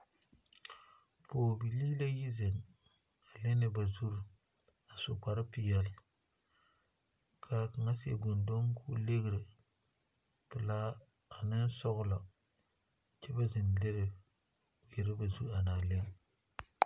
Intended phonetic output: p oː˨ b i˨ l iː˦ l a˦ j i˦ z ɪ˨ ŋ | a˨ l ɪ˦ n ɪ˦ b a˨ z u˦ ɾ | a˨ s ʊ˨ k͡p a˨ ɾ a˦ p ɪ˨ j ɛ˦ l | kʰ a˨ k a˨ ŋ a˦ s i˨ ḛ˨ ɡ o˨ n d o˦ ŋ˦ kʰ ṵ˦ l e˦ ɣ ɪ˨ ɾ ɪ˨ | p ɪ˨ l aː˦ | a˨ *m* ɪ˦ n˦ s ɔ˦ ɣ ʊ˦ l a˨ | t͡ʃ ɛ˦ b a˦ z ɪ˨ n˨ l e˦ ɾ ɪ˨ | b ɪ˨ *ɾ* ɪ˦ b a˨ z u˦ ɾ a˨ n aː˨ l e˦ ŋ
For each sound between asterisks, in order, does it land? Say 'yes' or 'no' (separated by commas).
no, yes